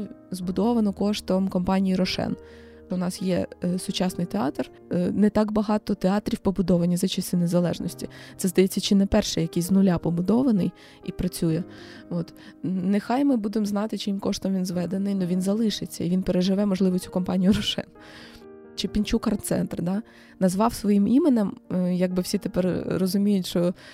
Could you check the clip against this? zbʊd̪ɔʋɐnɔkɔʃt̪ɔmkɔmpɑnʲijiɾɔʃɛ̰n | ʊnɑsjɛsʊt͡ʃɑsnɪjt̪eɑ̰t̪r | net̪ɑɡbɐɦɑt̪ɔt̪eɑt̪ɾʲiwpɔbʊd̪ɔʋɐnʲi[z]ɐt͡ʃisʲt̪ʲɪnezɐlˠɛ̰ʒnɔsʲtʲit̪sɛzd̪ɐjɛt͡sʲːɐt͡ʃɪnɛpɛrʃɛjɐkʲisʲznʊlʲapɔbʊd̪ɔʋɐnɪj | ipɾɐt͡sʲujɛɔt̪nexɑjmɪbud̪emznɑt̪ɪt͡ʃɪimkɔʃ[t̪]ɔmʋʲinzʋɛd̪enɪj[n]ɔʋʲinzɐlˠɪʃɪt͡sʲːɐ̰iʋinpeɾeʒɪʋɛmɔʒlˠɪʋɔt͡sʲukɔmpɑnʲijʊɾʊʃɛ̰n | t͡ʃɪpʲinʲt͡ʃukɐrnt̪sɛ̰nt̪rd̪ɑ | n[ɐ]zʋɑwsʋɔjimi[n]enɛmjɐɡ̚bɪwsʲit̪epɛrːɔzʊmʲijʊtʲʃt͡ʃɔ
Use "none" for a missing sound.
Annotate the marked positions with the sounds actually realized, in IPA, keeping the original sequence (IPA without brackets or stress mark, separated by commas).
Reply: z, t̪, n, ɐ, m